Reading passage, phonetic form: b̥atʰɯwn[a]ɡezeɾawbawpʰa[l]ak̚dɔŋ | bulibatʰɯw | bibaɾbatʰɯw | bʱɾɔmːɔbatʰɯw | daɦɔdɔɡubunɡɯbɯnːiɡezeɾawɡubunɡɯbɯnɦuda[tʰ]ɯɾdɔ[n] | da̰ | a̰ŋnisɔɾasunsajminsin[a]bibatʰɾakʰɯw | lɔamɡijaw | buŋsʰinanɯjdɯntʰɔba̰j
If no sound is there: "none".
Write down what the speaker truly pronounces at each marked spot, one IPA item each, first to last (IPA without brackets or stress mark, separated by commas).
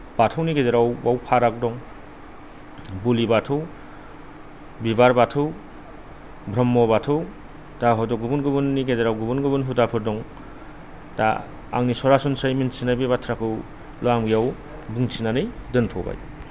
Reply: i, ɾ, pʰ, ŋ, a